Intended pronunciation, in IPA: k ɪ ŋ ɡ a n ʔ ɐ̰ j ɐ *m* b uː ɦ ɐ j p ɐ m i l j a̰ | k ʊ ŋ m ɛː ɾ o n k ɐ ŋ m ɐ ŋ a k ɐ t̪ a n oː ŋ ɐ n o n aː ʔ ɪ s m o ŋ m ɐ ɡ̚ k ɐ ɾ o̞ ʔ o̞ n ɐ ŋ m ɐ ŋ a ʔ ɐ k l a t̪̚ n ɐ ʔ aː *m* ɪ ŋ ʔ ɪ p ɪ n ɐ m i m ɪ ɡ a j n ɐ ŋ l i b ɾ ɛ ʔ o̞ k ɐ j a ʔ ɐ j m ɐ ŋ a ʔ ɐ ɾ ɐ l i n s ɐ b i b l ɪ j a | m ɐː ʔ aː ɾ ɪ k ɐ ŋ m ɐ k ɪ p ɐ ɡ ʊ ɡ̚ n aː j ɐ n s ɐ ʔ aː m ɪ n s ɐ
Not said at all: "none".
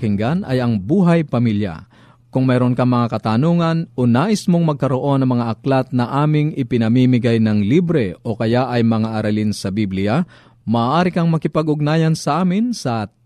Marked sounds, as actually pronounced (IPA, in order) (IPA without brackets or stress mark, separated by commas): ŋ, m